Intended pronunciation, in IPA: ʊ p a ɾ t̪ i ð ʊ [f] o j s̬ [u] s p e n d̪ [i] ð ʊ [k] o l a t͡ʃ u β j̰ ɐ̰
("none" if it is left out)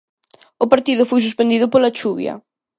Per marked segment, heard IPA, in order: f, u, i, p

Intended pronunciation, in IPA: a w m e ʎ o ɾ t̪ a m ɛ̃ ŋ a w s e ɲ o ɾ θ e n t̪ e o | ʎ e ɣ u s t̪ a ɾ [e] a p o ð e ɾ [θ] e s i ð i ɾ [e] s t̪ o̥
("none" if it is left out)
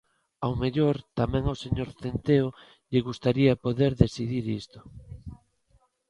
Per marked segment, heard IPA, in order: i, ð, i

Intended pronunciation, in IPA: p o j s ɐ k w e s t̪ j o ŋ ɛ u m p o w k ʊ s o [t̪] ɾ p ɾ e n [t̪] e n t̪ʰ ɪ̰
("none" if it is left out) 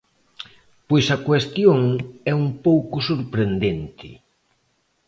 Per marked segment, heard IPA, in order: none, d̪

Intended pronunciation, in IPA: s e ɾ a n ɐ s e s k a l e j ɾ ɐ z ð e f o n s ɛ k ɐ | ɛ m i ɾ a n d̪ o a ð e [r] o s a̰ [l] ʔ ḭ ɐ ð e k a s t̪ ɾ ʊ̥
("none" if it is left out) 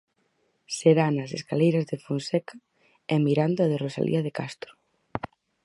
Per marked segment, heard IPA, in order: r, l

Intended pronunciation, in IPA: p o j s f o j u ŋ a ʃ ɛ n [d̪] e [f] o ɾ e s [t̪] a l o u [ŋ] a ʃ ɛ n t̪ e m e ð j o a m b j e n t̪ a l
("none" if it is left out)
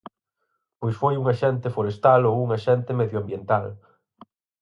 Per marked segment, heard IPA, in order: t̪, f, t̪, ŋ

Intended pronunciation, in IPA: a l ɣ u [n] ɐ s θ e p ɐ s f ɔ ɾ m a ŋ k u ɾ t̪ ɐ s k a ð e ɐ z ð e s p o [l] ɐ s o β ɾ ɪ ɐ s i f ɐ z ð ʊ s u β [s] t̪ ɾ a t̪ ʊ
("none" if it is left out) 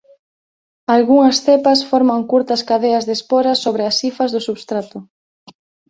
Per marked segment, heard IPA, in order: ŋ, ɾ, s

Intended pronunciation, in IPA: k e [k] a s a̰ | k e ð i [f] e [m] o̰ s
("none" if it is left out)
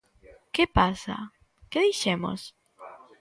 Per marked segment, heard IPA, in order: p, ʃ, m

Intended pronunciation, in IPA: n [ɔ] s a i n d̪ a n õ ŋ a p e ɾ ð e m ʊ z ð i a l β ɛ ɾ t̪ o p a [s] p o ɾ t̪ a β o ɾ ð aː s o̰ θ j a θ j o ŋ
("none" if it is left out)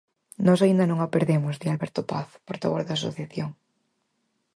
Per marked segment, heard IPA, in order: ɔ, θ

